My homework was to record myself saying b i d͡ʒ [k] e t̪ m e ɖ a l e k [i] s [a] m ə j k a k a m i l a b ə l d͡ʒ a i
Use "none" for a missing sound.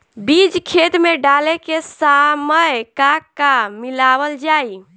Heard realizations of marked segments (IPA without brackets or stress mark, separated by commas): kʰ, e, a